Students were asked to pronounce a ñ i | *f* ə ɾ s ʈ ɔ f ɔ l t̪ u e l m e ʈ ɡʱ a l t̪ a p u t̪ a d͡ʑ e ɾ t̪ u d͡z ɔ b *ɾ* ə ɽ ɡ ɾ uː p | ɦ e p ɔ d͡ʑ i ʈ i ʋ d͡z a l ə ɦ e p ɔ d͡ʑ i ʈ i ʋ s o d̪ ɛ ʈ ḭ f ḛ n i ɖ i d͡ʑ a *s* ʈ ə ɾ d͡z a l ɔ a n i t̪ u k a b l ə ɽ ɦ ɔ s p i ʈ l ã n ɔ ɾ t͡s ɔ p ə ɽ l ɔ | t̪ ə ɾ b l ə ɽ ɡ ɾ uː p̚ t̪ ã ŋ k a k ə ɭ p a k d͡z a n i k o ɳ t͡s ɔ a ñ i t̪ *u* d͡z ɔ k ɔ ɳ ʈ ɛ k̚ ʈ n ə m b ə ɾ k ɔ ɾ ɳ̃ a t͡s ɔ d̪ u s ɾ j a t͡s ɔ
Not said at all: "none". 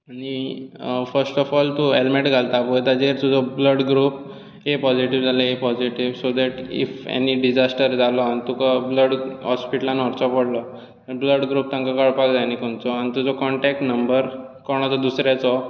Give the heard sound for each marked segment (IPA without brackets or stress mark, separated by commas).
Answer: f, l, s, u